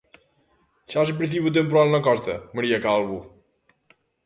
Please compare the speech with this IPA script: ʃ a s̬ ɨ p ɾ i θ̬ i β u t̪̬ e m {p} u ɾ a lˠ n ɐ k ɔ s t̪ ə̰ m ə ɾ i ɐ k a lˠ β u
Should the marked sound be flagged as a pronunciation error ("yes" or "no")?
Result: no